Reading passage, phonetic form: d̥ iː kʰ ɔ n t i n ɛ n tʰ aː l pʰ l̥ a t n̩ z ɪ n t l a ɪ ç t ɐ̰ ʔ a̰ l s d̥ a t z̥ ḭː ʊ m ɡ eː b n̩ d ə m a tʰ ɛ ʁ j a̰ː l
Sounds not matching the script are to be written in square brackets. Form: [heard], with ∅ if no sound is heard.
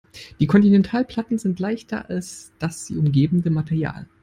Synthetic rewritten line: d̥ iː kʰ ɔ n t i n ɛ n tʰ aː l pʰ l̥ a t n̩ z ɪ n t l a ɪ ç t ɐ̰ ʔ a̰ l s d̥ a [s] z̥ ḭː ʊ m ɡ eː b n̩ d ə m a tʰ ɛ ʁ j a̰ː l